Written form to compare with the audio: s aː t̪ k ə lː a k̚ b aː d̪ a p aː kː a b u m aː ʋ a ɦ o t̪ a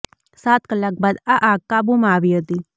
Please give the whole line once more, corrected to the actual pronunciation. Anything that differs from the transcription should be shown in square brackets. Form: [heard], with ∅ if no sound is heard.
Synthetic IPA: s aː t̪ k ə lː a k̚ b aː d̪ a [ʔ] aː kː a b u m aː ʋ [i] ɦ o t̪ [i]